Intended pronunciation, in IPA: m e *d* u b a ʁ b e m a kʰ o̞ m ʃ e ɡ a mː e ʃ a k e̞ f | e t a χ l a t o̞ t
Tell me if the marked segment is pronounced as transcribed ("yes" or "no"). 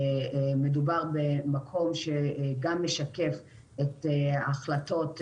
yes